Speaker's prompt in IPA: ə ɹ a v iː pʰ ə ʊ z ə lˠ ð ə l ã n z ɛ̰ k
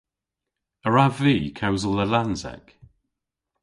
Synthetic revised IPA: ə ɹ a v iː kʰ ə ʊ z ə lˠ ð ə l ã n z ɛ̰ k

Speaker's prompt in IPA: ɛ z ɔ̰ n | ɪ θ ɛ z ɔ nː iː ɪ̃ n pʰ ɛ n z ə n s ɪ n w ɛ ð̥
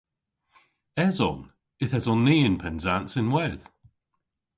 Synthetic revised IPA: ɛ z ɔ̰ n | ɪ θ ɛ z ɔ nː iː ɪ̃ n pʰ ɛ n z a n s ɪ n w ɛ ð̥

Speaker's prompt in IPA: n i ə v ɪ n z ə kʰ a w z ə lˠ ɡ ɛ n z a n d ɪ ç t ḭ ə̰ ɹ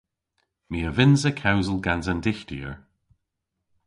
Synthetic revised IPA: m i ə v ɪ n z ə kʰ a w z ə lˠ ɡ a n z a n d ɪ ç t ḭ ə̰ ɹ

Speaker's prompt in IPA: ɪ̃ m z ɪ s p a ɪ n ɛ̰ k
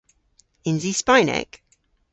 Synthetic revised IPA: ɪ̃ n z i s p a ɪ n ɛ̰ k

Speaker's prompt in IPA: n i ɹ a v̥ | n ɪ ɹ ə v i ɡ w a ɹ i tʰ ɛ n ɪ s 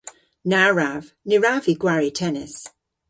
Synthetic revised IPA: n a ɹ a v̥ | n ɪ ɹ a v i ɡ w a ɹ i tʰ ɛ n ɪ s

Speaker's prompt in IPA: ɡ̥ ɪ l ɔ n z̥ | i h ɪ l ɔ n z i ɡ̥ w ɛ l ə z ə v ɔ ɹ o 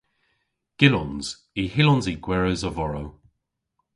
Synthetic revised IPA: ɡ̥ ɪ l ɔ n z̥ | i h ɪ l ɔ n z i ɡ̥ w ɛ ɹ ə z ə v ɔ ɹ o

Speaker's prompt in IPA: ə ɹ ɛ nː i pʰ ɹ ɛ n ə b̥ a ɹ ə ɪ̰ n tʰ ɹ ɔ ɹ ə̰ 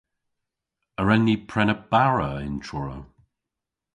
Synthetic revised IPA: ə ɹ ɛ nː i pʰ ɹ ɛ n ə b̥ a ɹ ə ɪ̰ n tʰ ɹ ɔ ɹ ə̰

